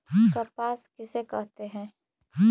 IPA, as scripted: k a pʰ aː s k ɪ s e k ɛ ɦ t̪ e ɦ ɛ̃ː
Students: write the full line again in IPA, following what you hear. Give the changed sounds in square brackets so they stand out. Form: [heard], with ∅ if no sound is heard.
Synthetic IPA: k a [p] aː s k ɪ s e k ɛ ɦ t̪ e ɦ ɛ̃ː